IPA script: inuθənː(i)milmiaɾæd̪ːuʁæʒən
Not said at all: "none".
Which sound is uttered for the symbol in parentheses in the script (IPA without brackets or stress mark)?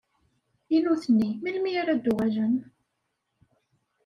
i